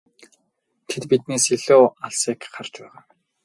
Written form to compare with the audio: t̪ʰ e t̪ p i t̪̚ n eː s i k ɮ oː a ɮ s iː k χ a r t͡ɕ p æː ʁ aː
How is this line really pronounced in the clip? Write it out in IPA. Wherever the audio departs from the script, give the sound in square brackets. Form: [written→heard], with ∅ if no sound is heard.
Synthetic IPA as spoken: t̪ʰ e t̪ p i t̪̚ n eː s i [k→∅] ɮ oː a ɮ s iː k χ a r t͡ɕ p æː ʁ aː